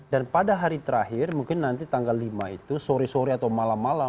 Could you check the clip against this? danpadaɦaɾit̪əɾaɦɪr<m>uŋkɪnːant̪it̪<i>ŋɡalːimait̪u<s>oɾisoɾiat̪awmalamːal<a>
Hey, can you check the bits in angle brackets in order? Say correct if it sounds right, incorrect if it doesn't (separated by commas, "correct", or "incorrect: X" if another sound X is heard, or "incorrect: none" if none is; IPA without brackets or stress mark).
correct, incorrect: a, correct, correct